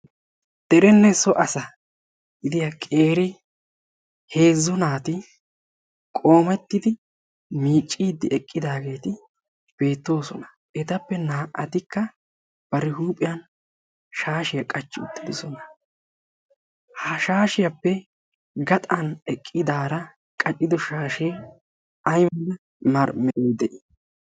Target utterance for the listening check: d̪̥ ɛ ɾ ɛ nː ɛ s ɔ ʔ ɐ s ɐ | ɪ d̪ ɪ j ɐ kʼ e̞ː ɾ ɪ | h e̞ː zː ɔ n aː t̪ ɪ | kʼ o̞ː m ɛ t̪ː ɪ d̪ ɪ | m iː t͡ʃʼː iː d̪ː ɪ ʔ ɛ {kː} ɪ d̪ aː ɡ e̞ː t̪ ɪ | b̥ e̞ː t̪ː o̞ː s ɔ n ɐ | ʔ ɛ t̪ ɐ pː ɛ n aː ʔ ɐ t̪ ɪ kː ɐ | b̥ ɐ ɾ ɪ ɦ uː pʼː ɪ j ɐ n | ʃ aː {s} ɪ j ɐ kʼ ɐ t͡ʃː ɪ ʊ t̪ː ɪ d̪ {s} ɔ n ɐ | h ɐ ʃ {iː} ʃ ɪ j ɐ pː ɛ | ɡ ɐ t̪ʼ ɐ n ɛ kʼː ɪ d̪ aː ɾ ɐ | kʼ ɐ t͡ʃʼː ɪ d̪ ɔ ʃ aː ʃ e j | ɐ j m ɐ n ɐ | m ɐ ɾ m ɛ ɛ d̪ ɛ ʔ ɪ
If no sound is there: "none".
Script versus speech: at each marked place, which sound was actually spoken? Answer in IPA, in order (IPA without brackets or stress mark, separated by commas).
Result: kʼː, ʃ, s, aː